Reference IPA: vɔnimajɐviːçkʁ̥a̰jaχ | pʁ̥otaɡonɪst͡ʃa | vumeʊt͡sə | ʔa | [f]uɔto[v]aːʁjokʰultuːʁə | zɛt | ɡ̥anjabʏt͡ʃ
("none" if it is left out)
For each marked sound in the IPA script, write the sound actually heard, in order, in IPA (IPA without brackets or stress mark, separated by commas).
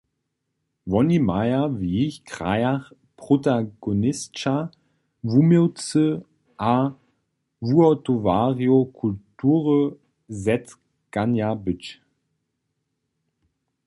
v, v